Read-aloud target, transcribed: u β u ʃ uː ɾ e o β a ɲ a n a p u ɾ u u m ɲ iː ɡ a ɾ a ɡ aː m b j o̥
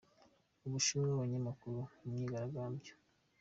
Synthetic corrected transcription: u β u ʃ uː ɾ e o β a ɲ a m a k u ɾ u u m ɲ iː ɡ a ɾ a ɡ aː m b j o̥